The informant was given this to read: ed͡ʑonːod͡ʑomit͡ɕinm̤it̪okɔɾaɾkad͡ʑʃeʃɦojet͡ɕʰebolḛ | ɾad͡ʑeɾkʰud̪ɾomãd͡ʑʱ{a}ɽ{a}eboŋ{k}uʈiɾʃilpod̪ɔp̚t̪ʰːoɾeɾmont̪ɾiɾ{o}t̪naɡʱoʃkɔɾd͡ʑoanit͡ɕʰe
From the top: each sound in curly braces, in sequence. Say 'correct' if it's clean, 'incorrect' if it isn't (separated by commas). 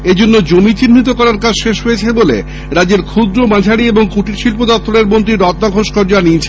correct, incorrect, correct, incorrect